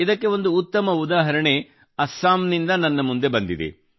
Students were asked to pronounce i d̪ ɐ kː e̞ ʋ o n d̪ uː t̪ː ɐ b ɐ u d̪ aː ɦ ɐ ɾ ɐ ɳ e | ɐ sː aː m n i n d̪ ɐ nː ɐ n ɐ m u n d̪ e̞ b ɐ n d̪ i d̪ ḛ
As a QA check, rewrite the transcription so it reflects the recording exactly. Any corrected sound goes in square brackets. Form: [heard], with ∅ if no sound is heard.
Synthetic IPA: i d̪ ɐ kː e̞ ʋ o n d̪ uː t̪ː ɐ [m] ɐ u d̪ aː ɦ ɐ ɾ ɐ ɳ e | ɐ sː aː m n i n d̪ ɐ [n] ɐ [nː] ɐ m u n d̪ e̞ b ɐ n d̪ i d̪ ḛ